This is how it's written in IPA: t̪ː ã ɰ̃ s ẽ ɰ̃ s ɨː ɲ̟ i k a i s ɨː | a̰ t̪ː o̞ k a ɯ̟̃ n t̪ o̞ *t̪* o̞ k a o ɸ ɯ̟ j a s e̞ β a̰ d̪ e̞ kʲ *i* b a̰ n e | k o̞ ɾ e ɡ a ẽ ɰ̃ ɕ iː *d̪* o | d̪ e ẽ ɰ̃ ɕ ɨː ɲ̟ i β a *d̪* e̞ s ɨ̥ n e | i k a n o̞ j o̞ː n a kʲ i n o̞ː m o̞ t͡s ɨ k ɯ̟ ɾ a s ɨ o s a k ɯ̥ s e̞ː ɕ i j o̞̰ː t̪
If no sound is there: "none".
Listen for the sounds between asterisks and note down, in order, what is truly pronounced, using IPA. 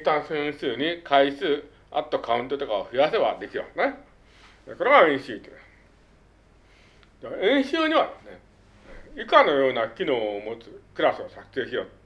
t̪, i, t̪, d̪

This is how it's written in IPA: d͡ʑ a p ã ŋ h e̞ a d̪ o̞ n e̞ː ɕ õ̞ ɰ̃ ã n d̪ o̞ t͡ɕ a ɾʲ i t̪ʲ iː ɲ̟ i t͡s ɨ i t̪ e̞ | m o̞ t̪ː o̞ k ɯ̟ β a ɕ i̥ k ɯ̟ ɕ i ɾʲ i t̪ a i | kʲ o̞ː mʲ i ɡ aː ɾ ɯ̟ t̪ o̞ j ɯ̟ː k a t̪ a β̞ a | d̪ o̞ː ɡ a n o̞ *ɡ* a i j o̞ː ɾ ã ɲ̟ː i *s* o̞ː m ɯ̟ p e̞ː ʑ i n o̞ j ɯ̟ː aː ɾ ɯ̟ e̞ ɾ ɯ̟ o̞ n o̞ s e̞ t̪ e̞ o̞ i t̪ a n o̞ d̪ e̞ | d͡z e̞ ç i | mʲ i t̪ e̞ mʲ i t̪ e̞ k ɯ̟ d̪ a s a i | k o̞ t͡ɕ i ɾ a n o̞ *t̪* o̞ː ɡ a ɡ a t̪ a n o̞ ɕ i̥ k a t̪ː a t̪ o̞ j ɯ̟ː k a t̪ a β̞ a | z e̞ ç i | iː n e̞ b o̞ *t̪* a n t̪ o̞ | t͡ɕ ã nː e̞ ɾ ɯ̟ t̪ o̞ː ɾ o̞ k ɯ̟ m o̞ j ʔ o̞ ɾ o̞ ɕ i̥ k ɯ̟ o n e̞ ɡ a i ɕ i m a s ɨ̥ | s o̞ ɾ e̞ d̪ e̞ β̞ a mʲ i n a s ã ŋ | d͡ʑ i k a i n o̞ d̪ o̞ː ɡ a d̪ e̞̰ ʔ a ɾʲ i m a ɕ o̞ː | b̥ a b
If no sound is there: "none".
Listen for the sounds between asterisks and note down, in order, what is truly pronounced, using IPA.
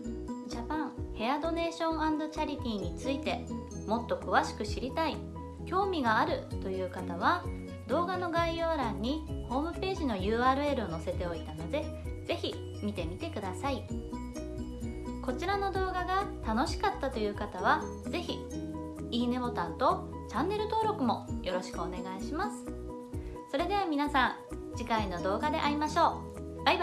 ɡ, h, d̪, t̪

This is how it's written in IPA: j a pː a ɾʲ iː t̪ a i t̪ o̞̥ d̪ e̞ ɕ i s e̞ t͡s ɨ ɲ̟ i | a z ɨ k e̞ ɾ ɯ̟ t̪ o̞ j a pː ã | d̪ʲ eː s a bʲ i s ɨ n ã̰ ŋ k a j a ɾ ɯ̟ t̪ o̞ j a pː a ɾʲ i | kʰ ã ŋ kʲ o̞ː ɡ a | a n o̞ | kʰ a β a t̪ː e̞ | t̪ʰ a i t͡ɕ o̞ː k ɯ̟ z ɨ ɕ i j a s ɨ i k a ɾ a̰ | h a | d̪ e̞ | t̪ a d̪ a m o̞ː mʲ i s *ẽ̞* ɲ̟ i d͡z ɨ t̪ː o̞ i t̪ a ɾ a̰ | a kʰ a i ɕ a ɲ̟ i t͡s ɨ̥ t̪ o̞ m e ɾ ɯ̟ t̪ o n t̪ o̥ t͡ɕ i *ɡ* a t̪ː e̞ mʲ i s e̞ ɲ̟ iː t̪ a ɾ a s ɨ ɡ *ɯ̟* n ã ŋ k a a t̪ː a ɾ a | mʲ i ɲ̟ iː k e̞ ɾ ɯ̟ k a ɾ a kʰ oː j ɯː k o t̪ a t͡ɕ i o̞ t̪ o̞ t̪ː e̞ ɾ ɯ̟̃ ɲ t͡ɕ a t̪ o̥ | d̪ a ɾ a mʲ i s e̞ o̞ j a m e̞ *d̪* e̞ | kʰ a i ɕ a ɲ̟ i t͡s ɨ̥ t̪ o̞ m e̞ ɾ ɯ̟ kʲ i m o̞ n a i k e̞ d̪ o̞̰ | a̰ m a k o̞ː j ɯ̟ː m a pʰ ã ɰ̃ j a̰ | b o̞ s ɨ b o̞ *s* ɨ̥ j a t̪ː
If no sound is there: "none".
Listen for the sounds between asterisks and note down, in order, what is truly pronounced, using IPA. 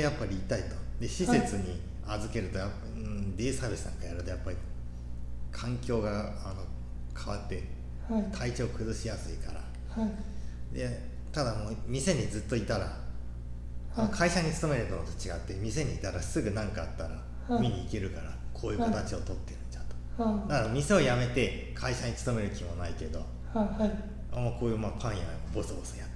e̞, ɡ, ɯ̟, t̪, s

